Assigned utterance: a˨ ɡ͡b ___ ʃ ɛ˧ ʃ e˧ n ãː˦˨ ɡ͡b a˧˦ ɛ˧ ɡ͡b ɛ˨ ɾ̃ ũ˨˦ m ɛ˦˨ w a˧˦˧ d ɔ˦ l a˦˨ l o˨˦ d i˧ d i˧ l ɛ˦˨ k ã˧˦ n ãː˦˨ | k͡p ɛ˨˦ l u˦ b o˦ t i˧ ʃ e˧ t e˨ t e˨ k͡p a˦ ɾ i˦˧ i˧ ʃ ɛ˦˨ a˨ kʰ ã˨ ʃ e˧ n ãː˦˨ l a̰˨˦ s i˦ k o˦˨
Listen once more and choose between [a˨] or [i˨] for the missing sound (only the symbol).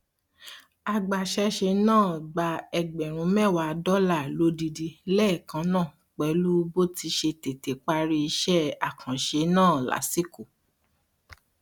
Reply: a˨